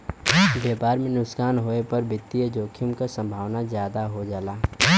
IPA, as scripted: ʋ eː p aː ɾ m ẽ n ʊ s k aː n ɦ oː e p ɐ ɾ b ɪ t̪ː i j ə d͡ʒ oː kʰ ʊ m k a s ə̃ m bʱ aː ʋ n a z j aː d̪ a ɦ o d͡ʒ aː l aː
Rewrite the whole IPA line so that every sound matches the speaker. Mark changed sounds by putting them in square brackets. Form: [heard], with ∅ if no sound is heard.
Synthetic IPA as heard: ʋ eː p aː ɾ m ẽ n ʊ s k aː n ɦ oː e p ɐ ɾ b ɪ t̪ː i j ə d͡ʒ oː kʰ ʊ m k a s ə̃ m bʱ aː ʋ n a z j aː d̪ a ɦ o d͡ʒ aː l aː